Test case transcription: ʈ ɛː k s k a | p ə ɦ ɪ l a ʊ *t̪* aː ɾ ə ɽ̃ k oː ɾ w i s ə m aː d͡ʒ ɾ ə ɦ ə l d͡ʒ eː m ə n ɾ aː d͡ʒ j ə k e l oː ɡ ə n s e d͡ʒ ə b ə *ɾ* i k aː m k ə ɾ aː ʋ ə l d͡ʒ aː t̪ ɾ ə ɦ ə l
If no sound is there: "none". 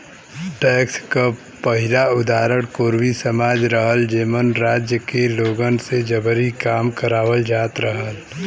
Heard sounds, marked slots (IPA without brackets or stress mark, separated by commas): d̪, ɾ